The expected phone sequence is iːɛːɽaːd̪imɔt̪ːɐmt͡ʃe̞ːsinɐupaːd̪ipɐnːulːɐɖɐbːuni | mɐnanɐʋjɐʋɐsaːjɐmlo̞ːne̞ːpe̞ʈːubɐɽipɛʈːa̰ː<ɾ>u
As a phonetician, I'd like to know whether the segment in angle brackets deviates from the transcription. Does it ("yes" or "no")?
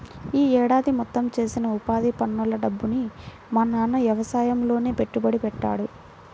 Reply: yes